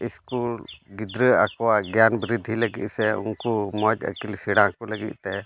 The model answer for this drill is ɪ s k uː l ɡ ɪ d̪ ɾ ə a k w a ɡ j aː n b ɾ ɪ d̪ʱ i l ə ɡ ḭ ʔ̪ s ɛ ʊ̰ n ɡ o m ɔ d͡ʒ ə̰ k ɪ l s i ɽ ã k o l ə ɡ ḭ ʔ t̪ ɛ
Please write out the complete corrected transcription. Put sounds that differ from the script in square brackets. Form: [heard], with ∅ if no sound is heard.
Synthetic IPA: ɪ s k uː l ɡ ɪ d̪ ɾ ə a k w a ɡ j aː n b ɾ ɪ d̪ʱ i l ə ɡ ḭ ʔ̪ s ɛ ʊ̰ n [k] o m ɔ d͡ʒ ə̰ k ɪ l s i ɽ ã k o l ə ɡ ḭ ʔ t̪ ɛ